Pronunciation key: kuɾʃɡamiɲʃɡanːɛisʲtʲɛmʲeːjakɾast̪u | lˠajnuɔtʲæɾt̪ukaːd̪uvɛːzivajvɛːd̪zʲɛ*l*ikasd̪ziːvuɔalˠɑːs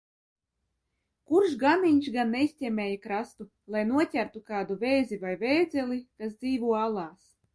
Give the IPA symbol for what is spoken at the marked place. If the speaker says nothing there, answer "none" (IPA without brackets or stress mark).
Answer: l